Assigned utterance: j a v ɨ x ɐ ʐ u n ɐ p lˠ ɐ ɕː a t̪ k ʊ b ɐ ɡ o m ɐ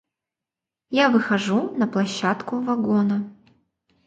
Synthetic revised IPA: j a v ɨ x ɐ ʐ u n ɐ p lˠ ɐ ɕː a t̪ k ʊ v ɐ ɡ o n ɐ